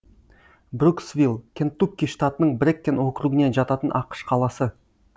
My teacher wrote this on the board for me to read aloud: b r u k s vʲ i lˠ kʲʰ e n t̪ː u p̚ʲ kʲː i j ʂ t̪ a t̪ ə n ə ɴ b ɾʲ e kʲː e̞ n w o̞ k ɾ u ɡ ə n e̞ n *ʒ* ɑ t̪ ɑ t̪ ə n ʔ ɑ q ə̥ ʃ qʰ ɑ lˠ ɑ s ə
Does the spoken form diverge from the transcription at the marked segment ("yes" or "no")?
no